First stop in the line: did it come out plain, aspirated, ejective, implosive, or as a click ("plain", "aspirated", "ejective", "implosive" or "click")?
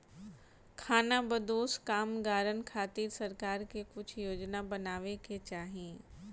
aspirated